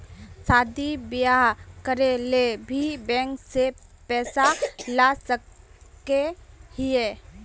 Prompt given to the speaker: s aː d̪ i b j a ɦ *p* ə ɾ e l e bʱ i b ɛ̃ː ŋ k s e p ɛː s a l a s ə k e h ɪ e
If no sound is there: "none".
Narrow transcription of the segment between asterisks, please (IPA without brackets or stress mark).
k